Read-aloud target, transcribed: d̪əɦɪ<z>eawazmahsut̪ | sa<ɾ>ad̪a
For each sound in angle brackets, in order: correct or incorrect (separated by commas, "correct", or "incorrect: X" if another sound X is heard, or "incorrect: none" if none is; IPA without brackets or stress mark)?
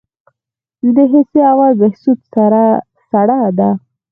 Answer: incorrect: s, incorrect: ɽ